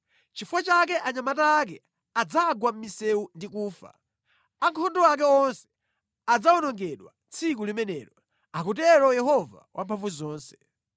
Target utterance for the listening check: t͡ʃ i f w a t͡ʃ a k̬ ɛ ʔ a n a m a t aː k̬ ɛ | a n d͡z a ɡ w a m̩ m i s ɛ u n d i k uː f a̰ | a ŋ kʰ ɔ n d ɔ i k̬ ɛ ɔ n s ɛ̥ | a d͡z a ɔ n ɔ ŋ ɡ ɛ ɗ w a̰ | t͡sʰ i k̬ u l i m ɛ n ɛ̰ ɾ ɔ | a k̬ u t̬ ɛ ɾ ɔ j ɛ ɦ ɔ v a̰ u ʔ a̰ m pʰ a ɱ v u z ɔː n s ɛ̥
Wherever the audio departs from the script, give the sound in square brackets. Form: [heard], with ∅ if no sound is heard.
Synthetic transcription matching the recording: t͡ʃ i f w a t͡ʃ a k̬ ɛ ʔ a [ɲ] a m a t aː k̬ ɛ | a [∅] d͡z a ɡ w a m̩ m i s ɛ u n d i k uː f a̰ | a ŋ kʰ ɔ n d ɔ [a] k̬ ɛ ɔ n s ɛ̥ | a d͡z a ɔ n ɔ ŋ ɡ ɛ ɗ w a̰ | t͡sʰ i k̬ u l i m ɛ n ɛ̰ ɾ ɔ | a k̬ u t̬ ɛ ɾ ɔ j ɛ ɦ ɔ v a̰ [w] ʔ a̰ m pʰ a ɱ v u z ɔː n s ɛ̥